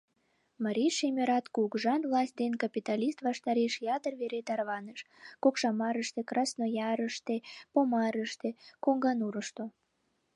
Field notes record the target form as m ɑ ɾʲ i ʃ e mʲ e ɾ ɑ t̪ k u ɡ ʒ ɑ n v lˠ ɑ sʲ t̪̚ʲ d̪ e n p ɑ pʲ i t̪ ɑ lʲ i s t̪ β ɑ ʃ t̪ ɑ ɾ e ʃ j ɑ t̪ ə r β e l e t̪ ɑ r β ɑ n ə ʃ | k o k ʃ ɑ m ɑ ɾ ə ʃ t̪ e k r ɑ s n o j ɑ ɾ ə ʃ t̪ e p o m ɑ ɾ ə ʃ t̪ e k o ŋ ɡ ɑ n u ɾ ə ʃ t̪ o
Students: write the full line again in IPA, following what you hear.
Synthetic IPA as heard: m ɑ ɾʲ i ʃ e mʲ e ɾ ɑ t̪ k u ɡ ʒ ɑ n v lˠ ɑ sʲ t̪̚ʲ d̪ e n k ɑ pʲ i t̪ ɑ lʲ i s t̪ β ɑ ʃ t̪ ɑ ɾ e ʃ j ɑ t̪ ə r β e ɾ e t̪ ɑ r β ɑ n ə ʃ | k o k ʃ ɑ m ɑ ɾ ə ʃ t̪ e k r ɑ s n o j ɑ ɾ ə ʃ t̪ e p o m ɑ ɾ ə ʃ t̪ e k o ŋ ɡ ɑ n u ɾ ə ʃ t̪ o